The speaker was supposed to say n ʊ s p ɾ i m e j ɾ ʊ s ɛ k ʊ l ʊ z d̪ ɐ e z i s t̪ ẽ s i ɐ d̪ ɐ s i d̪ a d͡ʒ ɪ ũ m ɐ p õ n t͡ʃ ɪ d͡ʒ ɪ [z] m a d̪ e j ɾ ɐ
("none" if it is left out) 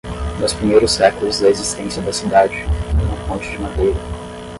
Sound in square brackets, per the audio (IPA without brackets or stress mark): none